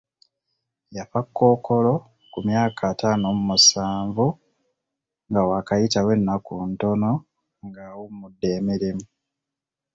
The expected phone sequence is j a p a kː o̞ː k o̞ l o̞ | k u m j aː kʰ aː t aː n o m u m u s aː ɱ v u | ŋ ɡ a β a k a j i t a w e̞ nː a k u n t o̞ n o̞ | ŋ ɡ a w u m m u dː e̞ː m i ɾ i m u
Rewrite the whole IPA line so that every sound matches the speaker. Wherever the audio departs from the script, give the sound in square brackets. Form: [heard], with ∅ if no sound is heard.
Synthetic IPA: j a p a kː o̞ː k o̞ l o̞ | k u m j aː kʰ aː t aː n o m u m u s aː ɱ v u | ŋ ɡ a [w] a k a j i t a w e̞ nː a k u n t o̞ n o̞ | ŋ ɡ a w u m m u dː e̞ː m i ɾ i m u